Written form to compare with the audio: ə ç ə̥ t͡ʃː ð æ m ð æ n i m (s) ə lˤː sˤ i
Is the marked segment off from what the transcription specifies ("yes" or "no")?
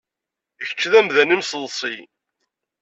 no